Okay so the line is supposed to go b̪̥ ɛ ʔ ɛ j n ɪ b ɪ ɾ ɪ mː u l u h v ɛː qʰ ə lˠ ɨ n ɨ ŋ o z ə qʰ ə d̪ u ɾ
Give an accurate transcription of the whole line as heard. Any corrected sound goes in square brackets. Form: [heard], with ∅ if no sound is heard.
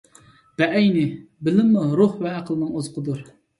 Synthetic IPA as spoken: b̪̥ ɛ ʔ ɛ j n ɪ b ɪ [l] ɪ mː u [ɾ] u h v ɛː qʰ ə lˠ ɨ n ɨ ŋ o z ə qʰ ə d̪ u ɾ